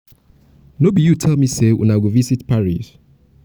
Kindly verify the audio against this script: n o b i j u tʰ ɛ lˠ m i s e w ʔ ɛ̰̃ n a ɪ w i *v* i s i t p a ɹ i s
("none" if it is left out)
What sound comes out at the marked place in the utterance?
v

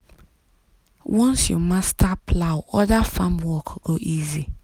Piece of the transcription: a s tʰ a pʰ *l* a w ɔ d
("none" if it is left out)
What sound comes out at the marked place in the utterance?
l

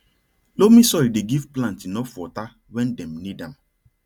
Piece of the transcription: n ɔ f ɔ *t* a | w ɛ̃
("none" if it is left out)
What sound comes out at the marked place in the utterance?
t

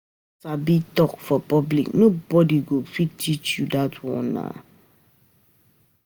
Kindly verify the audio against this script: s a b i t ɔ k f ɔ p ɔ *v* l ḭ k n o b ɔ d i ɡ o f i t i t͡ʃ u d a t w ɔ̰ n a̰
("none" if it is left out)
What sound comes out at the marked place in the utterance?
b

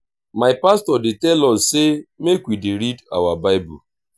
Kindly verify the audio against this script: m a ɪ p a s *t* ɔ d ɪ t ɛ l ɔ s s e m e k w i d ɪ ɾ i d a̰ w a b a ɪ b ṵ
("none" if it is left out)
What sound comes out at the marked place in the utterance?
t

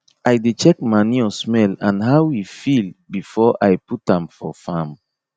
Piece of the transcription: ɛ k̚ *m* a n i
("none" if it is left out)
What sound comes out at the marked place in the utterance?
m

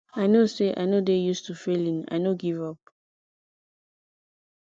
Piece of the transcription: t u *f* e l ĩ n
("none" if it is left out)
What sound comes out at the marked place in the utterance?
f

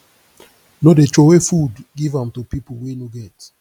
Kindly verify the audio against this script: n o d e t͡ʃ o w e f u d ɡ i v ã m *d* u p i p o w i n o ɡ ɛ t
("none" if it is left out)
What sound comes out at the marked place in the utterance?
t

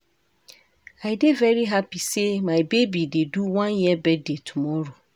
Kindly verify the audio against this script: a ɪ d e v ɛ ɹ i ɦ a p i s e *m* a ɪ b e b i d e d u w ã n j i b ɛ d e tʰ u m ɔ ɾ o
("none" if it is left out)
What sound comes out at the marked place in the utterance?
m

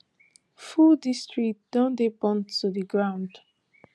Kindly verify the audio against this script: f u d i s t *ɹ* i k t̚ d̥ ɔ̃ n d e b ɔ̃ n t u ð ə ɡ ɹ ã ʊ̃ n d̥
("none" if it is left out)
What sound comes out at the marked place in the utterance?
ɹ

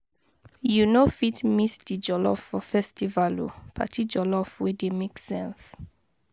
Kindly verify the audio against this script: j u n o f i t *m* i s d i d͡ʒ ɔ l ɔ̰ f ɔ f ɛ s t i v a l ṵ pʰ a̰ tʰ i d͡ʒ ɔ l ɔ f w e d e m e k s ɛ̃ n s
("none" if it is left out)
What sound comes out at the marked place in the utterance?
m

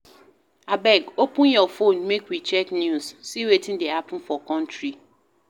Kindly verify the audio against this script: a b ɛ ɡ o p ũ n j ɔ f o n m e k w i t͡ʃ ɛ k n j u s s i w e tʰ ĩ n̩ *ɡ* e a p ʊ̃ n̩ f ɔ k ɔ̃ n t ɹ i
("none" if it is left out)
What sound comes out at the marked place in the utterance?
d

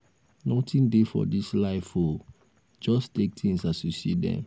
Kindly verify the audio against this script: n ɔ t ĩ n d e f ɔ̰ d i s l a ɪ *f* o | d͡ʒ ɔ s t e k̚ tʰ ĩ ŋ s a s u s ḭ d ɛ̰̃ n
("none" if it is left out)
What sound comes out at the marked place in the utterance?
f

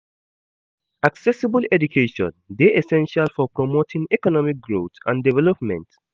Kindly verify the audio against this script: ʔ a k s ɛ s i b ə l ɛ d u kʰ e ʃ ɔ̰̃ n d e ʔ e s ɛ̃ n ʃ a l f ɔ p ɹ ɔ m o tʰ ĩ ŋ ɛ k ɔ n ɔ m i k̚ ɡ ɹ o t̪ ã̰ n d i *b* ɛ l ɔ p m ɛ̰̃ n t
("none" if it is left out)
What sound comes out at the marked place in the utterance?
v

